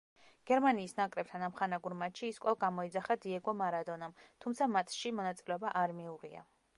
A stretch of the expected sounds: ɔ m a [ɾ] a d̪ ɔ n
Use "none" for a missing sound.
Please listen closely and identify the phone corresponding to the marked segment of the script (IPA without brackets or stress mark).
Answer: ɾ